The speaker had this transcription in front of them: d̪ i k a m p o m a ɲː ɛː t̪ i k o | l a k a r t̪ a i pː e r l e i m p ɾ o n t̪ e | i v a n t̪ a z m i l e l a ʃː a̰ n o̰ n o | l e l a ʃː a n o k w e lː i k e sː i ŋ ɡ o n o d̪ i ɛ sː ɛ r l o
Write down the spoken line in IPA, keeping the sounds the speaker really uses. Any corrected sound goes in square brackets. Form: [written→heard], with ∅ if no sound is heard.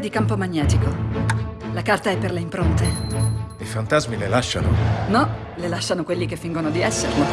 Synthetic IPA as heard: d̪ i k a m p o m a ɲː ɛː t̪ i k o | l a k a r t̪ a [i→ɛ] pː e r l e i m p ɾ o n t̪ e | i [v→f] a n t̪ a z m i l e l a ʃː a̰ n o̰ n [o→ɔ] | l e l a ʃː a n o k w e lː i k e [sː→fː] i ŋ ɡ o n o d̪ i ɛ sː [ɛ→e] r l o